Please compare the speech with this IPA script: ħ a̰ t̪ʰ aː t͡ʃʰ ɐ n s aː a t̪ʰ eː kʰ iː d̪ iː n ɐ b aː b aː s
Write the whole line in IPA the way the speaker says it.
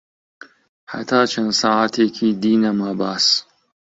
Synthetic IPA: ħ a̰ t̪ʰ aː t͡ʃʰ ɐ n s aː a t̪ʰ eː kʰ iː d̪ iː n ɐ m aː b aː s

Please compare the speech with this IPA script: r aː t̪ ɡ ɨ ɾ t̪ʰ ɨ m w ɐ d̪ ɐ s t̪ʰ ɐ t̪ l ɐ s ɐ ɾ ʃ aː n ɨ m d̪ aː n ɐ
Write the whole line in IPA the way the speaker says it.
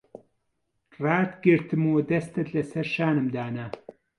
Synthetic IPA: r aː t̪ ɡ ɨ ɾ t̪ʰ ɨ m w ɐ d̪ ɐ s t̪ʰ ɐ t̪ l ɐ s ɐ ɾ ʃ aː n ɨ m d̪ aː n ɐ

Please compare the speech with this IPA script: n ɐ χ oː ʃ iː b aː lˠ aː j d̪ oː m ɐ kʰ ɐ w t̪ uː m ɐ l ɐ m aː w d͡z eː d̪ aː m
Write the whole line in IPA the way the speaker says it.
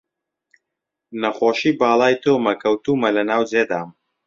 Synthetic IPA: n ɐ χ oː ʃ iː b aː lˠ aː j t̪ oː m ɐ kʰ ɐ w t̪ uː m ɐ l ɐ n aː w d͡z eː d̪ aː m

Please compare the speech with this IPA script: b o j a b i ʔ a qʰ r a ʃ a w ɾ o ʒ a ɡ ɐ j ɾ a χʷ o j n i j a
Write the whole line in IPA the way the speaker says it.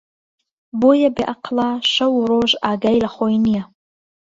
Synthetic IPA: b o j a b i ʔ a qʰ l a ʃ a w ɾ o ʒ a ɡ a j l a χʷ o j n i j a

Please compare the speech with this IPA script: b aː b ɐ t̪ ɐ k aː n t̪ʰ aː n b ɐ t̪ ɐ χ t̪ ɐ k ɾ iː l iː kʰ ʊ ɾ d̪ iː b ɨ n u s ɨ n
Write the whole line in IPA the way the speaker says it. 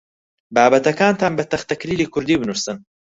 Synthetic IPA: b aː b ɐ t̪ ɐ k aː n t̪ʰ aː n b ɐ t̪ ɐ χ t̪ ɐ k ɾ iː l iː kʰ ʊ ɾ d̪ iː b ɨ n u s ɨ n

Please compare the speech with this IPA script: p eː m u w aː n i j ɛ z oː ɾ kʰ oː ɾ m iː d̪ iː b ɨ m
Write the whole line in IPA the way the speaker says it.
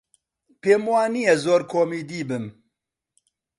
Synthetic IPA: p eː m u w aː n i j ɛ z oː ɾ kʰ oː m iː d̪ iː b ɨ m

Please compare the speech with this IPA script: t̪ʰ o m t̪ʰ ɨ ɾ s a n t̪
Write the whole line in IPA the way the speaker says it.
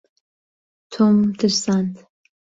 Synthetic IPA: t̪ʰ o m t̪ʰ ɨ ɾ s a n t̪

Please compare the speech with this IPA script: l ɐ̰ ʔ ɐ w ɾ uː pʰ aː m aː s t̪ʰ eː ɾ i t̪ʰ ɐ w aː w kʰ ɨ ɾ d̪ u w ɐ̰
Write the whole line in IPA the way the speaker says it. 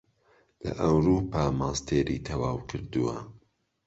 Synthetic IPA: l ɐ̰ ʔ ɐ w ɾ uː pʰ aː m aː s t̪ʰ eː ɾ i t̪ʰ ɐ w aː w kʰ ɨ ɾ d̪ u w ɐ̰

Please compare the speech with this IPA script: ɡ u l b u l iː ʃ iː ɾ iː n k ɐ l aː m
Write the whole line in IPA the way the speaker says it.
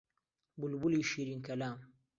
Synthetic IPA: b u l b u l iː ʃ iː ɾ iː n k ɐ l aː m

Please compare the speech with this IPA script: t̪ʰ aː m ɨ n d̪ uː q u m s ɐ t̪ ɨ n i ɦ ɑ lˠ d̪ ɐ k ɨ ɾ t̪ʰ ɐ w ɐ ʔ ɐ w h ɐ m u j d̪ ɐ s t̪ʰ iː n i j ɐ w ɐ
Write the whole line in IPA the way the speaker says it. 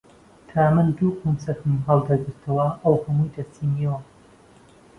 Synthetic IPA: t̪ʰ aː m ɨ n d̪ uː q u m s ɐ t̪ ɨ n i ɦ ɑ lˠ d̪ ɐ ɡ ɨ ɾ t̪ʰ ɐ w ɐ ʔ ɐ w h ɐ m u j d̪ ɐ s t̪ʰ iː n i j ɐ w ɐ

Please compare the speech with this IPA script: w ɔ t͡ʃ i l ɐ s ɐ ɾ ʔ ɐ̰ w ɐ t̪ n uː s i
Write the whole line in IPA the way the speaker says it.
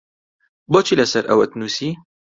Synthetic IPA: b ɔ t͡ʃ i l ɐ s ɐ ɾ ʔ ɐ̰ w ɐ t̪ n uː s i

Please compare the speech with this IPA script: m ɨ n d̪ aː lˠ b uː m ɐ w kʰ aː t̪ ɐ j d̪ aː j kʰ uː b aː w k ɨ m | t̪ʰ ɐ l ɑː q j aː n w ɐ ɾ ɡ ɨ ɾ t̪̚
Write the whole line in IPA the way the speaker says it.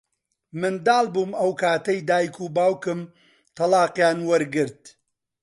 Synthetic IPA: m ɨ n d̪ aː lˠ b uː m ɐ w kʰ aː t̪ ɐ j d̪ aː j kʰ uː b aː w k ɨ m | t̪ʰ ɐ l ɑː q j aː n w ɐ ɾ ɡ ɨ ɾ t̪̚

